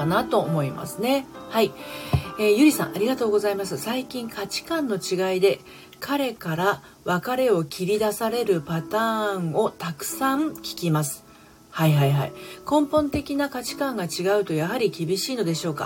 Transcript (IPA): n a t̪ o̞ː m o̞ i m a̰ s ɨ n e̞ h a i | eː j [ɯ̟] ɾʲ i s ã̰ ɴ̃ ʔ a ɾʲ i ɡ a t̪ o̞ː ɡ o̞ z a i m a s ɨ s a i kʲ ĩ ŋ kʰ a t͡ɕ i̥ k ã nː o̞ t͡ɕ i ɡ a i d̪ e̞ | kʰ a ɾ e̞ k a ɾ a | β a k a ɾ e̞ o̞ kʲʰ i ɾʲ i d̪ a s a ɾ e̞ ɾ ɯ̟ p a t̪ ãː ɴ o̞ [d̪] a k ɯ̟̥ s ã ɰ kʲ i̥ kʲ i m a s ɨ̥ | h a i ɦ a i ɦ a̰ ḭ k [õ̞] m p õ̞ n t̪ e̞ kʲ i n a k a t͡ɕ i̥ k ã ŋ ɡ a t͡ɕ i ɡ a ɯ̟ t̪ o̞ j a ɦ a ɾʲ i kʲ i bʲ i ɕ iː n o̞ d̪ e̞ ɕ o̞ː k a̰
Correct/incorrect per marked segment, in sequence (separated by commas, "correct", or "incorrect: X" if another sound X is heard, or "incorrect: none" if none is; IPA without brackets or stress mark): correct, incorrect: t̪, correct